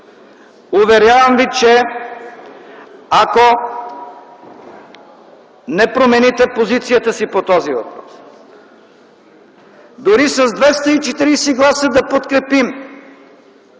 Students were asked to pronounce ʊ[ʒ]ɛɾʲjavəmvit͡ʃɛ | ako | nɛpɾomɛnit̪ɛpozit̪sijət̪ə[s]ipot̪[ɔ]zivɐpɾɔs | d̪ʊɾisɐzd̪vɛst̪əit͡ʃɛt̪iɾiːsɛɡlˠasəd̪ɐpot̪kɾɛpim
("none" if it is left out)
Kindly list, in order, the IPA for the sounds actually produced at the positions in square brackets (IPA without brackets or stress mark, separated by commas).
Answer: v, s, ɔ